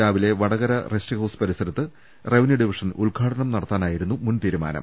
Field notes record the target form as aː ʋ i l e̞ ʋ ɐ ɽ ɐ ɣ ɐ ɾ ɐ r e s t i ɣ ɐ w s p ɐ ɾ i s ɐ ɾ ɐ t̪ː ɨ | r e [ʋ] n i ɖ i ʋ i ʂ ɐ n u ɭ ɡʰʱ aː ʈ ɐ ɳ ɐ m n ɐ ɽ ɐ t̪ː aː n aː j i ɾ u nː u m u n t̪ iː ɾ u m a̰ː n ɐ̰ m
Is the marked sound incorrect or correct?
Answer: correct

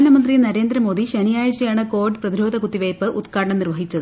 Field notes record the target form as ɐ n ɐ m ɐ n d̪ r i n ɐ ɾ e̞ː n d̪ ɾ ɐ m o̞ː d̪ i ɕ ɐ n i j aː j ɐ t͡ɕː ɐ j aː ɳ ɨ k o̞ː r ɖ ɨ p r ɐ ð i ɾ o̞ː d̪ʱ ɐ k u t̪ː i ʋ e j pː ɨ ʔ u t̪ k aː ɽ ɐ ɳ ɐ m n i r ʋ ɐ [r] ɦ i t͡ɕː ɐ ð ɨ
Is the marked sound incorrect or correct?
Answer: incorrect: none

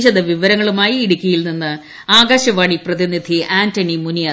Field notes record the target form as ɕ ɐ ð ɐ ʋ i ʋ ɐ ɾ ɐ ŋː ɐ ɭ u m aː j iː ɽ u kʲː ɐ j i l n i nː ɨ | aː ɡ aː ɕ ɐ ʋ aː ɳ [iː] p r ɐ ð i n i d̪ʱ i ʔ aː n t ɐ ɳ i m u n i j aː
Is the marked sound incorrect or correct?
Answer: incorrect: i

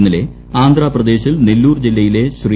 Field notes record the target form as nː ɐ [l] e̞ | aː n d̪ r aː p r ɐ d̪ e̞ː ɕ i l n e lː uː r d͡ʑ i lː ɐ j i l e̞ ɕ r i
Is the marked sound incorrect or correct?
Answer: correct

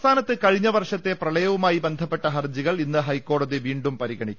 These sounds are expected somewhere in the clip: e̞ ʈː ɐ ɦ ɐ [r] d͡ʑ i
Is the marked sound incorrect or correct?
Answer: correct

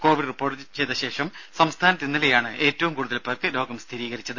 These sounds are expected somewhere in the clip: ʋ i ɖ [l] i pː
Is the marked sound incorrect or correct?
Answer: incorrect: r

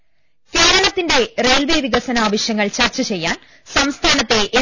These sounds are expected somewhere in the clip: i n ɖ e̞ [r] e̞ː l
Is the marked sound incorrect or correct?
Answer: correct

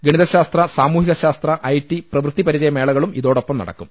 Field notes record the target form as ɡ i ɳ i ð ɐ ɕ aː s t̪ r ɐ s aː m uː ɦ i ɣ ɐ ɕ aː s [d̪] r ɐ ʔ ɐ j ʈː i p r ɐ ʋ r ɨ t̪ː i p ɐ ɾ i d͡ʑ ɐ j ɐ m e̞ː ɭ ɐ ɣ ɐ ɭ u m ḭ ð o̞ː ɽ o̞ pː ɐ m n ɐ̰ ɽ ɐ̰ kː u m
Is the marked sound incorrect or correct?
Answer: incorrect: t̪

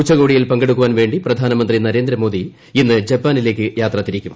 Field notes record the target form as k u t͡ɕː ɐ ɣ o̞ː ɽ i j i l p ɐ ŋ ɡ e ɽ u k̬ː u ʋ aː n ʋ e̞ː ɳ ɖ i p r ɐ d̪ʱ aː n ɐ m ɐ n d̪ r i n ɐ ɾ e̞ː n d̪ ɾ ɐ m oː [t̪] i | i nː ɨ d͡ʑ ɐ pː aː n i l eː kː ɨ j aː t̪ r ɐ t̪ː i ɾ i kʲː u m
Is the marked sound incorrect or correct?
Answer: incorrect: d̪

